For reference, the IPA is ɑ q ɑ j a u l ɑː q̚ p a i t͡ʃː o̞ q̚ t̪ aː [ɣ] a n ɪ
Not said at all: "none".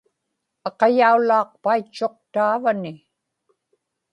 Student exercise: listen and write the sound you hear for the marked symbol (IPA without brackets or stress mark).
v